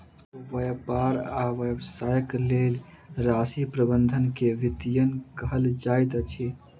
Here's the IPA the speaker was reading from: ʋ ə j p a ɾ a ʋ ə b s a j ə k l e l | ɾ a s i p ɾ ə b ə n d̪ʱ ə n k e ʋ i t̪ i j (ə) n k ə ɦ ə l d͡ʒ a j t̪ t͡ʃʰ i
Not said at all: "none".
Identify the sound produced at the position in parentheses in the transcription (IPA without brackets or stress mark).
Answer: ə